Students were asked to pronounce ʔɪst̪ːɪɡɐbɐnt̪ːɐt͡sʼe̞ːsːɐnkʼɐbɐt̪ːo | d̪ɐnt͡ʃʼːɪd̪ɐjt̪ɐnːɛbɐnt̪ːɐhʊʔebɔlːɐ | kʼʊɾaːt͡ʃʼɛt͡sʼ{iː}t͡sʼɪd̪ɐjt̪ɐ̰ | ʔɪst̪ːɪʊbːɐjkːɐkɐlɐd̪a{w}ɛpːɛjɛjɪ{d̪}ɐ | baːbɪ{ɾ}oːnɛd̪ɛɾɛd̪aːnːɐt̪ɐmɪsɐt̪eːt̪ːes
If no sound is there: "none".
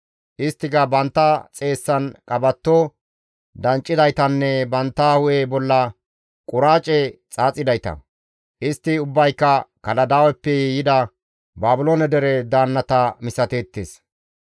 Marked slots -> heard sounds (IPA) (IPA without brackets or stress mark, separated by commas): aː, w, d̪, l